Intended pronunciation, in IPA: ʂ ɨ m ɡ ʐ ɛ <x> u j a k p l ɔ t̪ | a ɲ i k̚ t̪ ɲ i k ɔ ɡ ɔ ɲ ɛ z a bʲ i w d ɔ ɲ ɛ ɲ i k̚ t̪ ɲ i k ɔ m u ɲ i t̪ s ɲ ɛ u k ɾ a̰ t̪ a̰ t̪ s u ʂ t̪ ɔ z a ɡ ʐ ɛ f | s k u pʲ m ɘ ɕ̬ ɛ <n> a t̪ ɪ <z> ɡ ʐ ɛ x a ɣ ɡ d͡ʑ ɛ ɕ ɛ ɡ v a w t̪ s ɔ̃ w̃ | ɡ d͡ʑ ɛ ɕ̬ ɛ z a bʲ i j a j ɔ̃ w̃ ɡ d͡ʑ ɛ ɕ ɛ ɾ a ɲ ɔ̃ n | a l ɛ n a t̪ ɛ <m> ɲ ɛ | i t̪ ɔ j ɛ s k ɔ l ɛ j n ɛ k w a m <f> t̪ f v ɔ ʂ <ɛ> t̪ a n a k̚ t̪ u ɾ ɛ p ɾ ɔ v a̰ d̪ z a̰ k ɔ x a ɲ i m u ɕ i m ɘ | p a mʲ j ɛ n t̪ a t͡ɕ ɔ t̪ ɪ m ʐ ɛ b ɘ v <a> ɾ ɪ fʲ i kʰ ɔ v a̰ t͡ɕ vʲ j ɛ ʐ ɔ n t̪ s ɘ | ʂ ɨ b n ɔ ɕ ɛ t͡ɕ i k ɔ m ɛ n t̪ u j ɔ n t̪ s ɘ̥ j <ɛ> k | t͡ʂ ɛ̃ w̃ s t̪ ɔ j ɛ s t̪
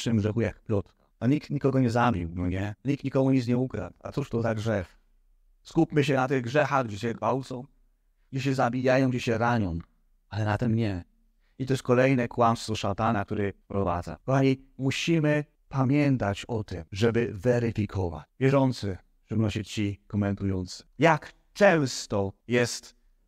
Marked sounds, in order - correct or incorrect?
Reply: correct, correct, incorrect: ɣ, correct, incorrect: s, incorrect: a, incorrect: ɛ, incorrect: a

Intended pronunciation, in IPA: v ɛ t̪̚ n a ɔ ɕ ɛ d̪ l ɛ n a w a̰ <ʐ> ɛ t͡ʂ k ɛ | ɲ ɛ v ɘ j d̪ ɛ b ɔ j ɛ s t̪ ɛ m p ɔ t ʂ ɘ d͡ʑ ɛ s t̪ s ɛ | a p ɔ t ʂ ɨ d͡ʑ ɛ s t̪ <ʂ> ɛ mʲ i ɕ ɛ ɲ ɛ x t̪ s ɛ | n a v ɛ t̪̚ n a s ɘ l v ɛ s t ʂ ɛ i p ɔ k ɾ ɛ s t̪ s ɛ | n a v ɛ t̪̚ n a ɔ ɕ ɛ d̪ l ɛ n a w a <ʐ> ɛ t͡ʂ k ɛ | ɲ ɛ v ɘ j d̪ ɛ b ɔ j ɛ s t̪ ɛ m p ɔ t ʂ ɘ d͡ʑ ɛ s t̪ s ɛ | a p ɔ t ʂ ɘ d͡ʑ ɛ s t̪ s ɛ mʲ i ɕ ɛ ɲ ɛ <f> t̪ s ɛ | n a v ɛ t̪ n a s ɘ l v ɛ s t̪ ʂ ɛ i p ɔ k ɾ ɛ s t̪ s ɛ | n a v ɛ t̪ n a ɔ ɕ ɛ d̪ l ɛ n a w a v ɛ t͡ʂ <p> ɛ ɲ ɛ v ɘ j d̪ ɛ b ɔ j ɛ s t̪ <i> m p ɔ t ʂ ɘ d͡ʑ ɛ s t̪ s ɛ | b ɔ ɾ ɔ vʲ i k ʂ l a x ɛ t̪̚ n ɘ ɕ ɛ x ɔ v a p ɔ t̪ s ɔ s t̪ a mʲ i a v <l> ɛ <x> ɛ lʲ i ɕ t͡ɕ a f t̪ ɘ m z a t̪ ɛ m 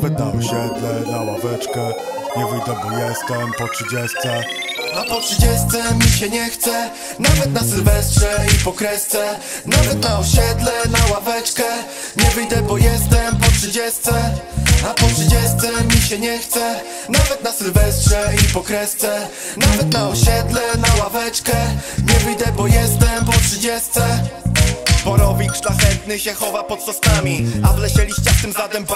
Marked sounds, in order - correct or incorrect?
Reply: incorrect: v, incorrect: s, incorrect: v, incorrect: x, incorrect: k, incorrect: ɛ, correct, incorrect: ɕ

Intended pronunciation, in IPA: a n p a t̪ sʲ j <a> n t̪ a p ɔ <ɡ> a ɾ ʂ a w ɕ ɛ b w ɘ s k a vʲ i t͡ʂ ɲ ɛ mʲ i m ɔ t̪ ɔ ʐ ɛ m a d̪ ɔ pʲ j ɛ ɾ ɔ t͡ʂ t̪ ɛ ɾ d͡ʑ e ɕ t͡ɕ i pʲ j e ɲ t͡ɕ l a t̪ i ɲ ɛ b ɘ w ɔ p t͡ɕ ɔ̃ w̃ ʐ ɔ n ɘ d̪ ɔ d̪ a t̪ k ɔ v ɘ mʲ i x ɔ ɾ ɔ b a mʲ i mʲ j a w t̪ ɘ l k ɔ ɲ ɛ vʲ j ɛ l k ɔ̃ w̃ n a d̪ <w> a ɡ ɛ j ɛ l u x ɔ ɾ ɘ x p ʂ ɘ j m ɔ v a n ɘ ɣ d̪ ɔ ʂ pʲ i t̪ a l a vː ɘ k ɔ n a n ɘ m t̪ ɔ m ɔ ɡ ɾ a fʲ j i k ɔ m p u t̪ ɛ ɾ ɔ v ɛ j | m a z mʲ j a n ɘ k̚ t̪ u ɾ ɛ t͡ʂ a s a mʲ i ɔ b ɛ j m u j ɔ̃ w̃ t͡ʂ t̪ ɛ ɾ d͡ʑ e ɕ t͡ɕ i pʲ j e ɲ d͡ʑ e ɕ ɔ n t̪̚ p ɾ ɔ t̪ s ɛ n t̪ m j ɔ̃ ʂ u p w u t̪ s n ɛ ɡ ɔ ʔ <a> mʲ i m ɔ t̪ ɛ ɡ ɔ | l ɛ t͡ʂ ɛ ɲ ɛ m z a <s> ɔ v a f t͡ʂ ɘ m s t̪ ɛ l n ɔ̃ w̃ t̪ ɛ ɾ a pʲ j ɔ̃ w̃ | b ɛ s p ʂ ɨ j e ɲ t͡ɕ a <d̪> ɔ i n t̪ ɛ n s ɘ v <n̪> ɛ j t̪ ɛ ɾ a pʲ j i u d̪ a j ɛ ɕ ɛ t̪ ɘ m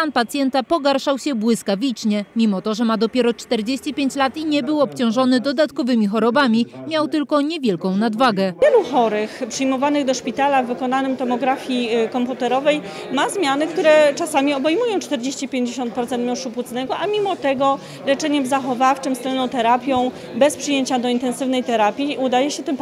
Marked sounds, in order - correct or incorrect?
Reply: incorrect: ɛ, correct, incorrect: v, correct, incorrect: x, correct, correct

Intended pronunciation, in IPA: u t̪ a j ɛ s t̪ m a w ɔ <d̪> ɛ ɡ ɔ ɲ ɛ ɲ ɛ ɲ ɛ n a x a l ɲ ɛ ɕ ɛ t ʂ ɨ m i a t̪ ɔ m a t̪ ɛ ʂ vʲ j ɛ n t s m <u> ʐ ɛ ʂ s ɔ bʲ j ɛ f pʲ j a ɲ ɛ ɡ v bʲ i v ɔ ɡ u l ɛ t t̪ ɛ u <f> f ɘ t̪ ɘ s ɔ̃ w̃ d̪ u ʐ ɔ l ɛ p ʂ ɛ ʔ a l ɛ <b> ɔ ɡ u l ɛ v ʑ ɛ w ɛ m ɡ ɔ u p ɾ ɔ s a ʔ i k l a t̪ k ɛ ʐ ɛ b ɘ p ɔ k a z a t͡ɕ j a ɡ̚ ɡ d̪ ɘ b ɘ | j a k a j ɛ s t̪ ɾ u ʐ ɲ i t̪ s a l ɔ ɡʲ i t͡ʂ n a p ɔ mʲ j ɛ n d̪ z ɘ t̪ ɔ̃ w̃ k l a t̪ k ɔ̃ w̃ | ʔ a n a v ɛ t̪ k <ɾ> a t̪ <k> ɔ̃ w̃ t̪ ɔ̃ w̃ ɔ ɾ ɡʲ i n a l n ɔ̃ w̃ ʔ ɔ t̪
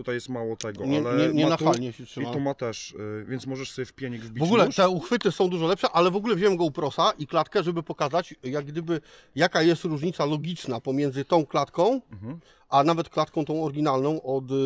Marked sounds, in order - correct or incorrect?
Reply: incorrect: t̪, incorrect: ɔ, incorrect: x, incorrect: v, incorrect: l, correct

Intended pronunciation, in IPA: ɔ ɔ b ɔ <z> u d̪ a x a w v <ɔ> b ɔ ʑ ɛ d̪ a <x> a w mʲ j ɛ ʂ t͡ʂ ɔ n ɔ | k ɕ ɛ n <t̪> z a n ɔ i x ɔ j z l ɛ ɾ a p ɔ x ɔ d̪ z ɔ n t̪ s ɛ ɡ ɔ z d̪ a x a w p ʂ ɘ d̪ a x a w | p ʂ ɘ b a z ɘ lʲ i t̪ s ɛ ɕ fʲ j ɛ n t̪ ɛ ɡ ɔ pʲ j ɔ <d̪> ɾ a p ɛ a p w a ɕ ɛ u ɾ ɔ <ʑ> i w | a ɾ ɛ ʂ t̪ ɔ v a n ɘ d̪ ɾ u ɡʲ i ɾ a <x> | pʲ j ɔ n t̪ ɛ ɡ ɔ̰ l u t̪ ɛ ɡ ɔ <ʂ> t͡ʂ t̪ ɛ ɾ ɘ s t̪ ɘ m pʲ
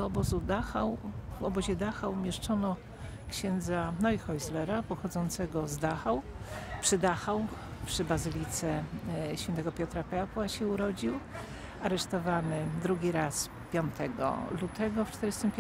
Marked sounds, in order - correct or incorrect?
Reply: correct, correct, correct, incorrect: d̪, incorrect: t̪, incorrect: d͡ʑ, incorrect: s, incorrect: f

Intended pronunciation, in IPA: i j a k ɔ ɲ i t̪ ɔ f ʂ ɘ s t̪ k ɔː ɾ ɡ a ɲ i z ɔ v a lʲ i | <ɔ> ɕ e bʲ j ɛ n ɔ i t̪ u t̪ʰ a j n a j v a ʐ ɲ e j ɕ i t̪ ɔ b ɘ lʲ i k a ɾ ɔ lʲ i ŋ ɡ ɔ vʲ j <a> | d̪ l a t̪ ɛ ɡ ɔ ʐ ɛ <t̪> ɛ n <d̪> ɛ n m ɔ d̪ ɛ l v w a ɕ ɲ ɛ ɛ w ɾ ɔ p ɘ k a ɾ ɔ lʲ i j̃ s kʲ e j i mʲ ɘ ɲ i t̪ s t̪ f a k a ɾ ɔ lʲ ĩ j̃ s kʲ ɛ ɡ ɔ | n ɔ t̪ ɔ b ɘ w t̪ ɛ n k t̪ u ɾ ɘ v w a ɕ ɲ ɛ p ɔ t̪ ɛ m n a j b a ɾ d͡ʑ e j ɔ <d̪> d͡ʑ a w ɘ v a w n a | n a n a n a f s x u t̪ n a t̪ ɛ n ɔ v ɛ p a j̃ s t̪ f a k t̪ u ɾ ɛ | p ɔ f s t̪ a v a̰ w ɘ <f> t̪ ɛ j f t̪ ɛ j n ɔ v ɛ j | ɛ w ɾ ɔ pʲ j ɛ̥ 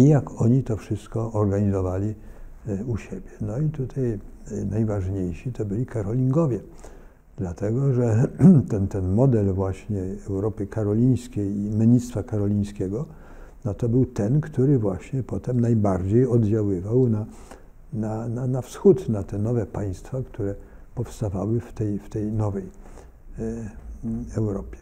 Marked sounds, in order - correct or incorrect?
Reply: incorrect: u, incorrect: ɛ, correct, incorrect: t̪, correct, correct

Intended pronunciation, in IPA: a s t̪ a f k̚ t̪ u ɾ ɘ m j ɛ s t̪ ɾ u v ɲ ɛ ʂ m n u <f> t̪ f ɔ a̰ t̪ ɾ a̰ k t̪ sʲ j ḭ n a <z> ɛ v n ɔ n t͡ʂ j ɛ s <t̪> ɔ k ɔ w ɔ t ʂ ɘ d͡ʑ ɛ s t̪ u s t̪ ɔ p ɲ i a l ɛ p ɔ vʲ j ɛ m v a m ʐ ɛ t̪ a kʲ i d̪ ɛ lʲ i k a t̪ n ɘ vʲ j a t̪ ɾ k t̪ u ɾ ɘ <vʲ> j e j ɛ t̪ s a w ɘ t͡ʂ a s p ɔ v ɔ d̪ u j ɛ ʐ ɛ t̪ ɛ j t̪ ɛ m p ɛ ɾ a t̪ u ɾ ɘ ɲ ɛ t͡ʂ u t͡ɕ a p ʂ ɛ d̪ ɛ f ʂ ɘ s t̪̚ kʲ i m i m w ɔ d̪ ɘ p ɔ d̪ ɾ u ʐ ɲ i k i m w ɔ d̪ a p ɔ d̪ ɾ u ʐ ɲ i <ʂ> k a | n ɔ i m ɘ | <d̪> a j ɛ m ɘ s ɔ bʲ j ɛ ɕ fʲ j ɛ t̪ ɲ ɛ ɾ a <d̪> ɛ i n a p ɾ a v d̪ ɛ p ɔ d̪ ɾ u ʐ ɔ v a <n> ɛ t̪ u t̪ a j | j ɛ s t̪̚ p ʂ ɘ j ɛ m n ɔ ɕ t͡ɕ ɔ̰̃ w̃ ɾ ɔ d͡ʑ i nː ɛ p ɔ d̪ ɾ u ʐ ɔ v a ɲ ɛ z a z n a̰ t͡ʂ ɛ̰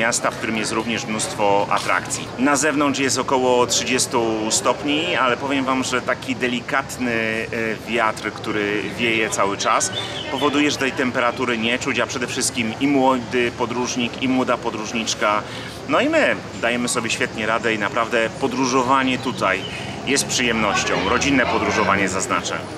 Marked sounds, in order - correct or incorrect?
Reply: incorrect: s, correct, correct, correct, incorrect: t͡ʂ, correct, correct, incorrect: ɲ

